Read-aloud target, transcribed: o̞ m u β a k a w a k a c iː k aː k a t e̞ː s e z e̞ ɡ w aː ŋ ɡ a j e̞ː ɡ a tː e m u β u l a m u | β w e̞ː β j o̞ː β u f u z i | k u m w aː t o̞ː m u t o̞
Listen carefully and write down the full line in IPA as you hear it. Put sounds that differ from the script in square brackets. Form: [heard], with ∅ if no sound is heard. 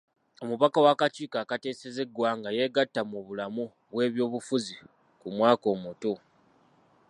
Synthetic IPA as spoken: o̞ m u β a k a w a k a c iː k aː k a t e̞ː s e z e̞ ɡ w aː ŋ ɡ a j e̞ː ɡ a tː [a] m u β u l a m u | β w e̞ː β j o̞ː β u f u z i | k u m w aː [k] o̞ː m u t o̞